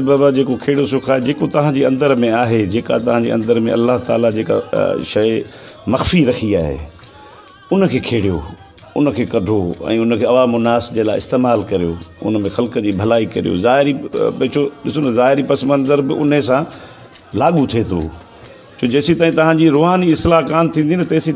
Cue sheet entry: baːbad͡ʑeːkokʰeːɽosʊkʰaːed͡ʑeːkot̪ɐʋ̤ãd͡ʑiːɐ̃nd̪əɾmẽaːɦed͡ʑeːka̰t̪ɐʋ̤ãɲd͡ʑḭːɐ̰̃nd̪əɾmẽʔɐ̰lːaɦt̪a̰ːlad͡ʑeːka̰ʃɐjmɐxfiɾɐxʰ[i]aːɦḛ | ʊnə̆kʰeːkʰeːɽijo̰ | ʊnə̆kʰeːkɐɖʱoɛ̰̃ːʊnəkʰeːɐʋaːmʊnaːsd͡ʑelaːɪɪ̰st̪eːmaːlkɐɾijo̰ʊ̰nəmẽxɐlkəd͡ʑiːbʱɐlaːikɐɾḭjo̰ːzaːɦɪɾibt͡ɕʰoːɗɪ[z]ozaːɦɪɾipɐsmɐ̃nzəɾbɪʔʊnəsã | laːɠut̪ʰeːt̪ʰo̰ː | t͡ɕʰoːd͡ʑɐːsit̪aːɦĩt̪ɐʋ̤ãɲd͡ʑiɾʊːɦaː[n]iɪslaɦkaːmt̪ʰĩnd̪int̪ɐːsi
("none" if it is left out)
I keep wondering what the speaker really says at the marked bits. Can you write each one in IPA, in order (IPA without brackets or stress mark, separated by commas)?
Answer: i, s, n